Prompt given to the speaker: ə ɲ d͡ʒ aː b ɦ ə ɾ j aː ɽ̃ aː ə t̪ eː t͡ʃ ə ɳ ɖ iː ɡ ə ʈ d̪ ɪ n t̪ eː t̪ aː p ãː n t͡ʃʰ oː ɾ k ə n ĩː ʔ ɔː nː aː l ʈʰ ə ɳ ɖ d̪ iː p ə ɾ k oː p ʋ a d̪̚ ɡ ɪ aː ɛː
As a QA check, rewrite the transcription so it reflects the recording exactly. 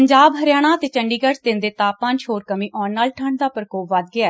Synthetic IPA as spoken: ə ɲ d͡ʒ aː b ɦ ə ɾ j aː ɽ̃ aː ə t̪ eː t͡ʃ ə ɳ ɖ iː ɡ ə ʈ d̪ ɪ n d̪ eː t̪ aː p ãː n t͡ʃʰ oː ɾ k ə m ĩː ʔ ɔː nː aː l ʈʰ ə ɳ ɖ d̪ aː p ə ɾ k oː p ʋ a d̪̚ ɡ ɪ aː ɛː